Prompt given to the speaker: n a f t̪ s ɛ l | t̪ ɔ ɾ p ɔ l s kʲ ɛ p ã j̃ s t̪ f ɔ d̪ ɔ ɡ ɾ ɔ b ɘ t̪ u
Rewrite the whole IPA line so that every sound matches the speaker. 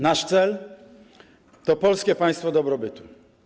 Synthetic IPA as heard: n a ʂ t̪ s ɛ l | t̪ ɔ p ɔ l s kʲ ɛ p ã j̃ s t̪ f ɔ d̪ ɔ b ɾ ɔ b ɘ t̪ u

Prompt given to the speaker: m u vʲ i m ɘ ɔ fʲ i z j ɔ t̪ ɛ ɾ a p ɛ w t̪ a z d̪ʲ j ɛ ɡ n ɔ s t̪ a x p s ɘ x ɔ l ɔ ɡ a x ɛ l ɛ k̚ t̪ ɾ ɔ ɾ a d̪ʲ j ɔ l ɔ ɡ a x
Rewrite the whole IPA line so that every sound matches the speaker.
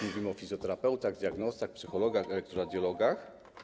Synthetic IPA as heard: m u vʲ i m ɘ ɔ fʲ i z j ɔ t̪ ɛ ɾ a p ɛ w t̪ a ɣ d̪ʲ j a ɡ n ɔ s t̪ a x p s ɘ x ɔ l ɔ ɡ a x ɛ l ɛ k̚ t̪ ɾ ɔ ɾ a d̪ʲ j ɔ l ɔ ɡ a x

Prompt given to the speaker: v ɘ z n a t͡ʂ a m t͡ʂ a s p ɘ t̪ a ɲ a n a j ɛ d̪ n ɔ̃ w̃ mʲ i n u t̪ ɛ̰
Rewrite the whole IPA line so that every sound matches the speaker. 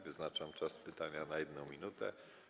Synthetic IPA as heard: v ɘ z n a t͡ʂ a m t͡ʂ a s p ɘ t̪ a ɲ a n a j ɛ d̪ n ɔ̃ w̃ mʲ i n u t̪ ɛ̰

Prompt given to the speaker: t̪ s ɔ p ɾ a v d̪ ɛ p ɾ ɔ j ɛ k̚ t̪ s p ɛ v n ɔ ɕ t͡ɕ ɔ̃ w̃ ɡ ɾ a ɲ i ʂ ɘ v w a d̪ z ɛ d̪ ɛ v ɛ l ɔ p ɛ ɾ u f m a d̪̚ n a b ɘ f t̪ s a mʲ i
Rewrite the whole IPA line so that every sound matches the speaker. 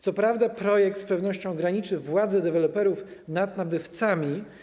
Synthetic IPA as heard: t̪ s ɔ p ɾ a v d̪ a p ɾ ɔ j ɛ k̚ t̪ s p ɛ v n ɔ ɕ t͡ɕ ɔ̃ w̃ ɡ ɾ a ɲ i t͡ʂ ɘ v w a d̪ z ɛ d̪ ɛ v ɛ l ɔ p ɛ ɾ u f n a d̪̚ n a b ɘ f t̪ s a mʲ i

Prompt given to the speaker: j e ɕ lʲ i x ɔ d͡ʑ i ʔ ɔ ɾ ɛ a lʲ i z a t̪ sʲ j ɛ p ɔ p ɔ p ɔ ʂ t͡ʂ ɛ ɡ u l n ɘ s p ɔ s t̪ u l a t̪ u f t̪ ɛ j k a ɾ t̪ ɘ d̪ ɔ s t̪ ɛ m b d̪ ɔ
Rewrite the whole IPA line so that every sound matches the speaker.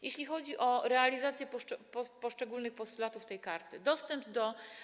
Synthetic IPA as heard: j e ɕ lʲ i x ɔ d͡ʑ i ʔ ɔ ɾ ɛ a lʲ i z a t̪ sʲ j ɛ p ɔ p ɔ p ɔ ʂ t͡ʂ ɛ ɡ u l n ɘ x p ɔ s t̪ u l a t̪ u f t̪ ɛ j k a ɾ t̪ ɘ d̪ ɔ s t̪ ɛ m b d̪ ɔ

